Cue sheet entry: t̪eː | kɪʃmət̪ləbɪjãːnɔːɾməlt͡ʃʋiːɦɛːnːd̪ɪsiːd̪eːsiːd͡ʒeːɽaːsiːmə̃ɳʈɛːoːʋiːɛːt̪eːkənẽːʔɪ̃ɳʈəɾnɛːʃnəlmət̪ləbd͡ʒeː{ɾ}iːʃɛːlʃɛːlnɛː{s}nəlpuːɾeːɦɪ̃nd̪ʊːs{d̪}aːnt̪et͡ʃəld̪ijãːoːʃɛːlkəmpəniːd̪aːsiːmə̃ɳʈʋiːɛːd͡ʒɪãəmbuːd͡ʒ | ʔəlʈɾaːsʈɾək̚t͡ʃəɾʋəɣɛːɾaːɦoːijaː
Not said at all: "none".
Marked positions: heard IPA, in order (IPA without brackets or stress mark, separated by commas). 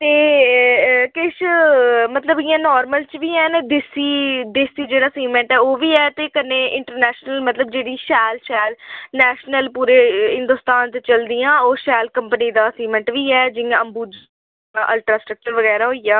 ɽ, ʃ, t̪